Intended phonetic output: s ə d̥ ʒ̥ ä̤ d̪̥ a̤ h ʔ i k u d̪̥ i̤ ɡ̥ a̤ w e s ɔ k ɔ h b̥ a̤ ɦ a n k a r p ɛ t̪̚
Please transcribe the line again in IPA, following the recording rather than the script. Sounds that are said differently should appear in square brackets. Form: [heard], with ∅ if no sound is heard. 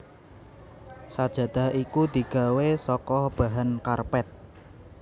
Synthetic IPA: s [a] d̥ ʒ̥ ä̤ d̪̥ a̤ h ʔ i k u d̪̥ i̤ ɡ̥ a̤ w e s ɔ k ɔ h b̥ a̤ ɦ a n k a r p ɛ t̪̚